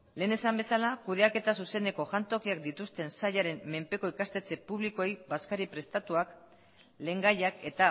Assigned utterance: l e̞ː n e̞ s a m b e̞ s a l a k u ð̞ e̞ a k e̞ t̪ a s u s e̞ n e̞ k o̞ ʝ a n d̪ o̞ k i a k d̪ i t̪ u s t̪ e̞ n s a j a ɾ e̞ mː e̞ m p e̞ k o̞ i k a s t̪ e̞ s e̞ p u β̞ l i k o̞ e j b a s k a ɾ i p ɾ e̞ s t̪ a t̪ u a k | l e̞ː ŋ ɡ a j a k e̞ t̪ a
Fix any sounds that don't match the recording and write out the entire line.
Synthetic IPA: l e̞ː n e̞ s a m b e̞ s a l a k u ð̞ e̞ a k e̞ t̪ a s u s e̞ n e̞ k o̞ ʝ a n t̪ o̞ k i a k d̪ i t̪ u s t̪ e̞ n s a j a ɾ e̞ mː e̞ m p e̞ k o̞ i k a s t̪ e̞ t͡s e̞ p u β̞ l i k o̞ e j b a s k a ɾ i p ɾ e̞ s t̪ a t̪ u a k | l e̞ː ŋ ɡ a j a k e̞ t̪ a

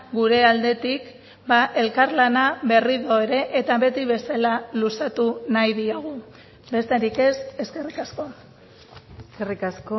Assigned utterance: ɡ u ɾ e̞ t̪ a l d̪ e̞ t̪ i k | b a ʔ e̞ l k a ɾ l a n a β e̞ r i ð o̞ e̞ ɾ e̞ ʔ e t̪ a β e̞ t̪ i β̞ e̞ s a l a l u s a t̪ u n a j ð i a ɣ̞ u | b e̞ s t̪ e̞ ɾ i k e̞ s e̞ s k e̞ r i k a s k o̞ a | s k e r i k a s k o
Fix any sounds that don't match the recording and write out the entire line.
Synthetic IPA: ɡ u ɾ e̞ a l d̪ e̞ t̪ i k | b a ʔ e̞ l k a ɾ l a n a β e̞ r i ð o̞ e̞ ɾ e̞ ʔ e t̪ a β e̞ t̪ i β̞ e̞ s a l a l u s a t̪ u n a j ð i a ɣ̞ u | b e̞ s t̪ e̞ ɾ i k e̞ s e̞ s k e̞ r i k a s k o̞ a | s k e r i k a s k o

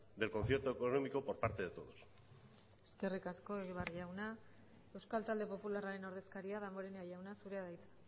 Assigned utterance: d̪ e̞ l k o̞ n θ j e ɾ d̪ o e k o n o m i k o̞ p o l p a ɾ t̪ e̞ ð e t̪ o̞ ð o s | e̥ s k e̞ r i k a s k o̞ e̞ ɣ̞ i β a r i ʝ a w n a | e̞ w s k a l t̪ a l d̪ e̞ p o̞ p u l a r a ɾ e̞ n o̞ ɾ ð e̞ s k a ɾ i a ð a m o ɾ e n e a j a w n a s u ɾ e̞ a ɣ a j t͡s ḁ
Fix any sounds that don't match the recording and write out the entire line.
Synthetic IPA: d̪ e̞ l k o̞ n θ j e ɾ t̪ o e k o n o m i k o̞ p o ɾ p a ɾ t̪ e̞ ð e t̪ o̞ ð o s | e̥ s k e̞ r i k a s k o̞ e̞ ɣ̞ i β a r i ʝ a w n a | e̞ w s k a l t̪ a l d̪ e̞ p o̞ p u l a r a ɾ e̞ n o̞ ɾ ð e̞ s k a ɾ i a ð a m o ɾ e n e a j a w n a s u ɾ e̞ a ð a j t͡s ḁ

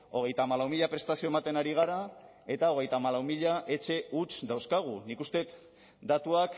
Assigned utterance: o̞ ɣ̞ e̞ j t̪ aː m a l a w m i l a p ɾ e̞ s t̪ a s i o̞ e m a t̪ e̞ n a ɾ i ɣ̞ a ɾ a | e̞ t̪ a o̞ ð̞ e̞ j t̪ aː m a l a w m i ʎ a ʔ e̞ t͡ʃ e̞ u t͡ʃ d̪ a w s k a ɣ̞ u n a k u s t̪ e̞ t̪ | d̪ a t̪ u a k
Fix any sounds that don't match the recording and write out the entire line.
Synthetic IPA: o̞ ɣ̞ e̞ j t̪ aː m a l a w m i ʎ a p ɾ e̞ s t̪ a s i o̞ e m a t̪ e̞ n a ɾ i ɣ̞ a ɾ a | e̞ t̪ a o̞ ɣ̞ e̞ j t̪ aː m a l a w m i ʎ a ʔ e̞ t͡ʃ e̞ u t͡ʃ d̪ a w s k a ɣ̞ u n i k u s t̪ e̞ t̪ | d̪ a t̪ u a k

